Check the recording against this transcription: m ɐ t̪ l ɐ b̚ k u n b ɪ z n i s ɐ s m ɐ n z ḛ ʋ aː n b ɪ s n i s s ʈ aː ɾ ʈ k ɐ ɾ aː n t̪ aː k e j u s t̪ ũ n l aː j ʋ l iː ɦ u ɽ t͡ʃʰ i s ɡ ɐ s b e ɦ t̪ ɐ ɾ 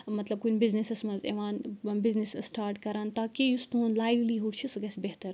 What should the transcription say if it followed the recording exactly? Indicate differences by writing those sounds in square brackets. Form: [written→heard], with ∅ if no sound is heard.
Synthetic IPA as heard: m ɐ t̪ l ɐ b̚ k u n b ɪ z n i s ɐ s m ɐ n z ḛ ʋ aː n b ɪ [s→z] n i s s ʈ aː ɾ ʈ k ɐ ɾ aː n t̪ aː k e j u s t̪ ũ n l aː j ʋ l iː ɦ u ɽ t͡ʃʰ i s ɡ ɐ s b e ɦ t̪ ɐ ɾ